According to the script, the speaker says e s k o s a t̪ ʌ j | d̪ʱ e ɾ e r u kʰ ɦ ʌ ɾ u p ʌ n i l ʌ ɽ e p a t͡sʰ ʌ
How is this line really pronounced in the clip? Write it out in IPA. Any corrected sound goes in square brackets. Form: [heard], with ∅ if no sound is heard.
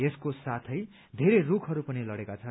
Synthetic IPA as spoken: e s k o s a [t̪ʰ] ʌ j | d̪ʱ e ɾ e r u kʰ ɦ ʌ ɾ u p ʌ n i l ʌ ɽ e [k] a t͡sʰ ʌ